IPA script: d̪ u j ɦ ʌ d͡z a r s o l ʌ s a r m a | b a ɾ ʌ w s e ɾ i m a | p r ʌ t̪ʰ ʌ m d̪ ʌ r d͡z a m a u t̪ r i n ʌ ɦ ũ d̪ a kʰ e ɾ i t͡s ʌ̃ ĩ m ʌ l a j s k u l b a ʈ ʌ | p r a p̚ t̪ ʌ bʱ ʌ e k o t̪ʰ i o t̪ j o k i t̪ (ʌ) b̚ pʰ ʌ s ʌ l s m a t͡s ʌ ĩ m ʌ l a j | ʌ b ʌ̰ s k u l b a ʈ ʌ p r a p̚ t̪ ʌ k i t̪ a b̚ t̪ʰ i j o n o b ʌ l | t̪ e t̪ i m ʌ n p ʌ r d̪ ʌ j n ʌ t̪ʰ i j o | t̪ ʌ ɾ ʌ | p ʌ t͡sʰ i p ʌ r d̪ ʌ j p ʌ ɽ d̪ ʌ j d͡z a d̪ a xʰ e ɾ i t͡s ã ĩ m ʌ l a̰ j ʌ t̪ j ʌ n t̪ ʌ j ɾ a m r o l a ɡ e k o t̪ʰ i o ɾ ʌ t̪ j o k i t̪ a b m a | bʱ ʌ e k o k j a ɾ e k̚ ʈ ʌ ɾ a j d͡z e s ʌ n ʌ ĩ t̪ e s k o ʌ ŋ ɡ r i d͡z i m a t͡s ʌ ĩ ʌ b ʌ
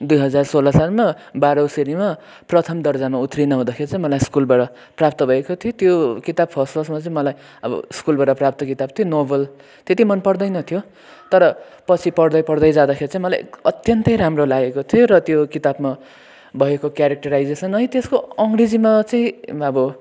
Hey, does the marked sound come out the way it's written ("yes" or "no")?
no